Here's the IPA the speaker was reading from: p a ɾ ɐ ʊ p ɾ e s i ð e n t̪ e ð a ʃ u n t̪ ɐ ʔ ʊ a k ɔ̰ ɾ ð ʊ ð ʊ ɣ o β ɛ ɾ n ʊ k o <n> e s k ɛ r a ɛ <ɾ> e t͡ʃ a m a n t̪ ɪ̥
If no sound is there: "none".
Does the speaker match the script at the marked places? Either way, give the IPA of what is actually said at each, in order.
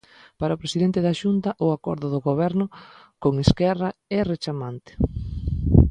ŋ, r

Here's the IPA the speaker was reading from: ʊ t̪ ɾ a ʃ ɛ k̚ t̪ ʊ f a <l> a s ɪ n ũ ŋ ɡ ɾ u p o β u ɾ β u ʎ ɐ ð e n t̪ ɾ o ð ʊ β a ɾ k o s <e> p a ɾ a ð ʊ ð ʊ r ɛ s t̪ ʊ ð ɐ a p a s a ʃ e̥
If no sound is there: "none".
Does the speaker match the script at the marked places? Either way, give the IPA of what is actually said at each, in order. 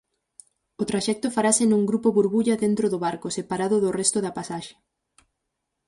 ɾ, e

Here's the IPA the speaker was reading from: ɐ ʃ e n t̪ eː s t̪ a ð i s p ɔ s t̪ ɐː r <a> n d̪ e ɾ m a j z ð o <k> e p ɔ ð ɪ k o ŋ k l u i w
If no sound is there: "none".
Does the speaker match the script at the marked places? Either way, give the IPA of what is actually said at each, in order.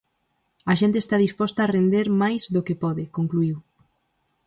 e, k

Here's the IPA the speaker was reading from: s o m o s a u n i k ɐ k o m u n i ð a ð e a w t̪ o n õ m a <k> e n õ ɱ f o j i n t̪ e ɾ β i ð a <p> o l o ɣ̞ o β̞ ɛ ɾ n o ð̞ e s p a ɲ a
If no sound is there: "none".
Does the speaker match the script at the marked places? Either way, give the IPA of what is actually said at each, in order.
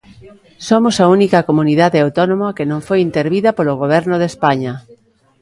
k, p

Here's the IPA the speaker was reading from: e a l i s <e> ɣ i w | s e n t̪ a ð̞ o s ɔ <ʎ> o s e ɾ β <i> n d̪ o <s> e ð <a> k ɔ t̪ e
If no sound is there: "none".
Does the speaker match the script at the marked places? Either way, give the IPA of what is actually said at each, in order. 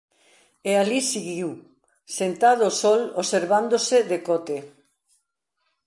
i, l, a, s, e

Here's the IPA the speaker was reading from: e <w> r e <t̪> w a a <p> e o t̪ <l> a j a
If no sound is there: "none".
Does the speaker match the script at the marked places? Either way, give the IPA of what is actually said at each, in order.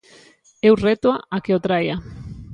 w, t̪, k, ɾ

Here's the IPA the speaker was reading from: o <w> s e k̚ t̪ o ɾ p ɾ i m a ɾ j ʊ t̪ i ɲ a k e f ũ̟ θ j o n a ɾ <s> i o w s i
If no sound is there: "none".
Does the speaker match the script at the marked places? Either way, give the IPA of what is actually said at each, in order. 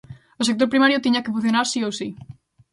none, s

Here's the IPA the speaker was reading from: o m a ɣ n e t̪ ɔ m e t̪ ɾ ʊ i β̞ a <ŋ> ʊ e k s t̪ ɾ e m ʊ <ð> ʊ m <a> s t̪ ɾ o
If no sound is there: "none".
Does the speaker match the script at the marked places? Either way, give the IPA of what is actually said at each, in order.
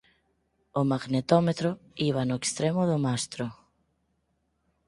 n, ð, a

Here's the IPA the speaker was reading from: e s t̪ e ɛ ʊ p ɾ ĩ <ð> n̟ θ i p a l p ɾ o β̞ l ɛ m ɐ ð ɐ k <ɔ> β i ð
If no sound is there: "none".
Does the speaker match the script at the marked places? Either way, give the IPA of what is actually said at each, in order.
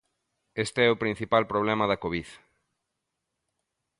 none, o

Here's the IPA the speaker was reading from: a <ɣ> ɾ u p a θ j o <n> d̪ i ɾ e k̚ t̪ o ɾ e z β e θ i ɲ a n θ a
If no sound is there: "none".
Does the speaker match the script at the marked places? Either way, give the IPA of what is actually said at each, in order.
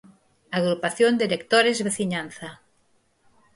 ɣ, n

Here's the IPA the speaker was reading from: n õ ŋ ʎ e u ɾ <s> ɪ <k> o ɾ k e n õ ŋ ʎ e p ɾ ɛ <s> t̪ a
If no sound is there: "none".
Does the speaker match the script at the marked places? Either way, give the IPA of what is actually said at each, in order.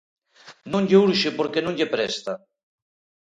ʃ, p, s

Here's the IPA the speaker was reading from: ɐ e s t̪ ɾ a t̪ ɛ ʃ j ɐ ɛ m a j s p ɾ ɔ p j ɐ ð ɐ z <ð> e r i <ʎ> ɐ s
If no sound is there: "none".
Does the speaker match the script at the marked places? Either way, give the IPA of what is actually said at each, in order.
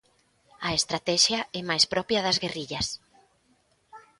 ɣ, ʎ

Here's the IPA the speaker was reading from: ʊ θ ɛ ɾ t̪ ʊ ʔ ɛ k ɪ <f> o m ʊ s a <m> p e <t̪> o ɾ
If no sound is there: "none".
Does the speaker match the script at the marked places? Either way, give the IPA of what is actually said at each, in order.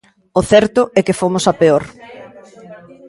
f, none, none

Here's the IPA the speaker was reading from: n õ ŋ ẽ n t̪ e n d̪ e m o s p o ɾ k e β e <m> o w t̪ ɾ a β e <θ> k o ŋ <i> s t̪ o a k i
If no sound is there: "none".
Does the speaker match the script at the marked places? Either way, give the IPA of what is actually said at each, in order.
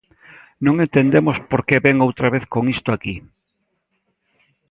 ŋ, θ, i

